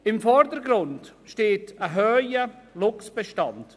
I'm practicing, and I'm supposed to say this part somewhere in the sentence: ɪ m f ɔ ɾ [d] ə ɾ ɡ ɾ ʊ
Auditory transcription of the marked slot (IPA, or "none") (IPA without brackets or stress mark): d